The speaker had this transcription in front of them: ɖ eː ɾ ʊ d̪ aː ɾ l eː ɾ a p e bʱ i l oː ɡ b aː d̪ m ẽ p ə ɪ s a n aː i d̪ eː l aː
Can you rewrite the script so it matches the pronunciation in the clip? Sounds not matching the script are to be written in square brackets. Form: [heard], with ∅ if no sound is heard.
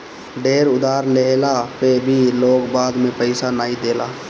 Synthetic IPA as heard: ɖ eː ɾ ʊ d̪ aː ɾ l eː [l] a p e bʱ i l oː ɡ b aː d̪ m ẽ p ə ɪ s a n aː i d̪ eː l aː